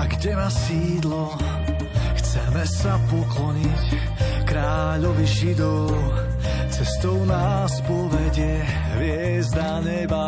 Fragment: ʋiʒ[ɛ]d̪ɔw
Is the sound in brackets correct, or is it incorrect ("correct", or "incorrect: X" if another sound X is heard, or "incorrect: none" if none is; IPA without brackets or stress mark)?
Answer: incorrect: i